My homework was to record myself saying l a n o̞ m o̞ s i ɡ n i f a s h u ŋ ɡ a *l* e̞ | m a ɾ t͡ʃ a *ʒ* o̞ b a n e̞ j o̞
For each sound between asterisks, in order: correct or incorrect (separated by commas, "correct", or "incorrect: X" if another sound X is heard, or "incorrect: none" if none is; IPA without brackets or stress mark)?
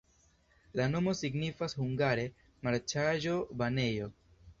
incorrect: ɾ, correct